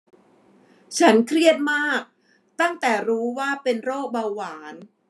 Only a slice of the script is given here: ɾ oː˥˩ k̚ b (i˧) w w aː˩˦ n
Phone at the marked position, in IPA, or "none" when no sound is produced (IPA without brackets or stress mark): a˧